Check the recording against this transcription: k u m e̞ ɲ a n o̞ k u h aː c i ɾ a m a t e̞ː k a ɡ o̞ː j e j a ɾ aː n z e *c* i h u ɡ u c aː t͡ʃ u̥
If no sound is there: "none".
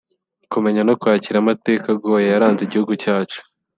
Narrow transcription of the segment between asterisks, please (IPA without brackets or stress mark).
ɟ